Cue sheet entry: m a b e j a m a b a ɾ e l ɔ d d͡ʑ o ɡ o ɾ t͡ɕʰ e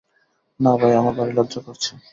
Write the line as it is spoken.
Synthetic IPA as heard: n a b a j a m a b a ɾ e l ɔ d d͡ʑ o k o ɾ t͡ɕʰ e